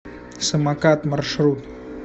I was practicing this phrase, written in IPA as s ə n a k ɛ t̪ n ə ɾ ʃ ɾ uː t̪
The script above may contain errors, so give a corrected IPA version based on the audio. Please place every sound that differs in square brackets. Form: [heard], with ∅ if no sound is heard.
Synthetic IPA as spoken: s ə [m] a k [a] t̪ [m] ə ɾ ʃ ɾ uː t̪